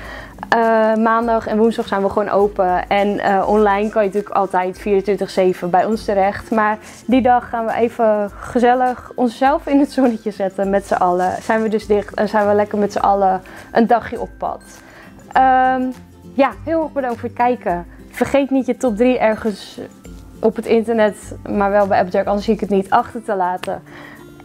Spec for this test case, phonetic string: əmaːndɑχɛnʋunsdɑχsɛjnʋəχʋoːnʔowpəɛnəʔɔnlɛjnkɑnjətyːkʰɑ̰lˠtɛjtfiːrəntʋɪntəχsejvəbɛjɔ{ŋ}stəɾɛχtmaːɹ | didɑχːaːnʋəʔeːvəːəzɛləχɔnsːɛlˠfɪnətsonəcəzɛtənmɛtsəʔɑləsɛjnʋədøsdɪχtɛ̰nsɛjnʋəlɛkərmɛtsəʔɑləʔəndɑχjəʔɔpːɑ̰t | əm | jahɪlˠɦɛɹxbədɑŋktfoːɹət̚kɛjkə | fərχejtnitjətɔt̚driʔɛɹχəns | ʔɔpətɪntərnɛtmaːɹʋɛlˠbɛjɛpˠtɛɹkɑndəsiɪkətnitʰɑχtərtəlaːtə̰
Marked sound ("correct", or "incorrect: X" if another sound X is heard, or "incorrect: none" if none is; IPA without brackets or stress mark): incorrect: n